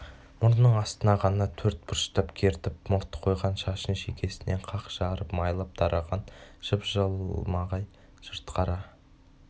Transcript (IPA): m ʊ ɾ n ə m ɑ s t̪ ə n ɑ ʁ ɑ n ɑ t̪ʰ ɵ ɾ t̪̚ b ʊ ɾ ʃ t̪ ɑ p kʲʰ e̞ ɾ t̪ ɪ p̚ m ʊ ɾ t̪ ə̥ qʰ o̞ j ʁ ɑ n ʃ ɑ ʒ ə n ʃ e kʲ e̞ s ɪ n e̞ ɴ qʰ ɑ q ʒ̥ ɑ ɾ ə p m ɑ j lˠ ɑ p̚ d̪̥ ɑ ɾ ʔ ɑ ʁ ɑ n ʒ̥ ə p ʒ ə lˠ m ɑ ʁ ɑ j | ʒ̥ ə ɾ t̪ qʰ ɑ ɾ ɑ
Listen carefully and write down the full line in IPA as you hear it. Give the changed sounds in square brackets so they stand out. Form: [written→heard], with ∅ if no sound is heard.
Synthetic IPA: m ʊ ɾ n ə [m→ɴ] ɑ s t̪ ə n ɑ ʁ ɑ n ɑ t̪ʰ ɵ ɾ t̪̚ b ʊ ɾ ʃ t̪ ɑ p kʲʰ e̞ ɾ t̪ ɪ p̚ m ʊ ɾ t̪ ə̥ qʰ o̞ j ʁ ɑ n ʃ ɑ [ʒ→ʃ] ə n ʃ e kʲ e̞ s ɪ n e̞ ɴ qʰ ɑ q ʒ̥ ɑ ɾ ə p m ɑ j lˠ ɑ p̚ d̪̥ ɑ ɾ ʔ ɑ ʁ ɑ n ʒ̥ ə p ʒ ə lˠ m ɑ ʁ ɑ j | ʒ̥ ə ɾ t̪ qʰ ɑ ɾ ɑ